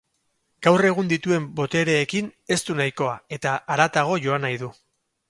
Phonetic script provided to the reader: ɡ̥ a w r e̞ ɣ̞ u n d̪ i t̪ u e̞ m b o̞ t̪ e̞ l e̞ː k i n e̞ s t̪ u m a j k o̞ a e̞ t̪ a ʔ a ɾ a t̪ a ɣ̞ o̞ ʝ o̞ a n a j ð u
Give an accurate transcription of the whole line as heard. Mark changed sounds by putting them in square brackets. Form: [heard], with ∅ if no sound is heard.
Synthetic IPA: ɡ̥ a w r e̞ ɣ̞ u n d̪ i t̪ u e̞ m b o̞ t̪ e̞ [ɾ] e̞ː k i n e̞ s t̪ u [n] a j k o̞ a e̞ t̪ a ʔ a ɾ a t̪ a ɣ̞ o̞ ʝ o̞ a n a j ð u